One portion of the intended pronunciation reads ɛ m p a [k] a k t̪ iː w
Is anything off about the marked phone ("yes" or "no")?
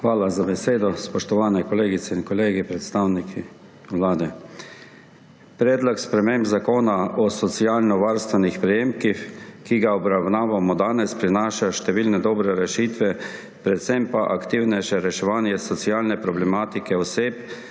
yes